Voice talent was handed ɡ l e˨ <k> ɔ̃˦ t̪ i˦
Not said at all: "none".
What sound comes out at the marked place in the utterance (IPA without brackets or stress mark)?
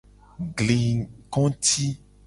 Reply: k